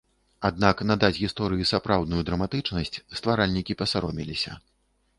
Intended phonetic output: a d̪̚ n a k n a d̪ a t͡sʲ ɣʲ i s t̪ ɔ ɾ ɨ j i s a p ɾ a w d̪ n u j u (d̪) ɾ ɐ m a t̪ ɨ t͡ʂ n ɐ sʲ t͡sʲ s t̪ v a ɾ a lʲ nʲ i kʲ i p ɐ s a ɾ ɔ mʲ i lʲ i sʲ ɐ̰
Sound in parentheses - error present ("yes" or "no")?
no